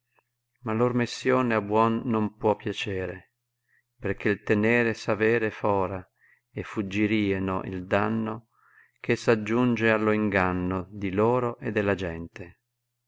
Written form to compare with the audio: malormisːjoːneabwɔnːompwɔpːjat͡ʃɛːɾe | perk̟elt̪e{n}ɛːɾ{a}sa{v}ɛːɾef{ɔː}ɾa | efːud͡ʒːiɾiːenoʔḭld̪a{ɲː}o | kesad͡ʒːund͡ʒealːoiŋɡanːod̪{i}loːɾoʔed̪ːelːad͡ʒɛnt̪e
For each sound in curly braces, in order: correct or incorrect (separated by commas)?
correct, incorrect, correct, correct, incorrect, correct